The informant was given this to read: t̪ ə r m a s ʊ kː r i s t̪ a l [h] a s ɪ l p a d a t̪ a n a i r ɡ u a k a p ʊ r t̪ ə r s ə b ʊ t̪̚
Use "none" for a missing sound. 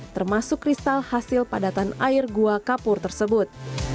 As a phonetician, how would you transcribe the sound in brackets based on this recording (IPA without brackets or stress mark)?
h